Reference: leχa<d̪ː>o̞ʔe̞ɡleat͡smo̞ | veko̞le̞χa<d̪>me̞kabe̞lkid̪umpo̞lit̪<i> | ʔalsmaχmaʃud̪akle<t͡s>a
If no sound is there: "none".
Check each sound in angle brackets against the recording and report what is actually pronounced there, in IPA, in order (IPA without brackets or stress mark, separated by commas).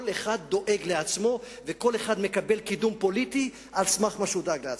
d̪ː, d̪, i, none